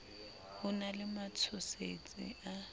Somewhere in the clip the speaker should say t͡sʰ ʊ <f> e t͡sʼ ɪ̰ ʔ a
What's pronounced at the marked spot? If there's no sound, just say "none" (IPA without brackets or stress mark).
s